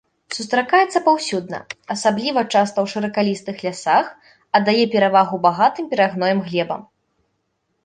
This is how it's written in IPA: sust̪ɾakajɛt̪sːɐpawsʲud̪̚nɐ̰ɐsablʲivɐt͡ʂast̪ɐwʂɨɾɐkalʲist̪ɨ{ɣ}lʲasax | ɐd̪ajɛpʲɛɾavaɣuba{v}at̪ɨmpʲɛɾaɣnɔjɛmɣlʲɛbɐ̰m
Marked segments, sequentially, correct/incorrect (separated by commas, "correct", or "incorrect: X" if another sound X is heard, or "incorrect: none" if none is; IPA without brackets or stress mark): incorrect: x, incorrect: ɣ